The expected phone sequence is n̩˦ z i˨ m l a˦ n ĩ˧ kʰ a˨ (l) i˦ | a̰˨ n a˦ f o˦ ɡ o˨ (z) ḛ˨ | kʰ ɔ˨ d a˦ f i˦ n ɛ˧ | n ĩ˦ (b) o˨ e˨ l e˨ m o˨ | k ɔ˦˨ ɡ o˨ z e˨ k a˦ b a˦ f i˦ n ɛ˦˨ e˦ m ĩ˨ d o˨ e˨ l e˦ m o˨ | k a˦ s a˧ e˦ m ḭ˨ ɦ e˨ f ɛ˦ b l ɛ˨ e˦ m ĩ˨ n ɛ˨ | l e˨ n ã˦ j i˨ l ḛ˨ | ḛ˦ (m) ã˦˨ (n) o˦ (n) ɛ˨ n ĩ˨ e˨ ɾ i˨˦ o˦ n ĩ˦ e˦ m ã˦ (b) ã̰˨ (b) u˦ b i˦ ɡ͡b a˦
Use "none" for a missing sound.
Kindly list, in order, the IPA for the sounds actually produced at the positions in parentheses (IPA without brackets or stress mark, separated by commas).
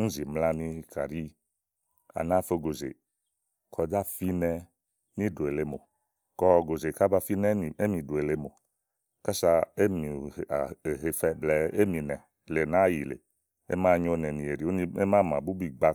ɾ, z, d, m, ɲ, n, m, b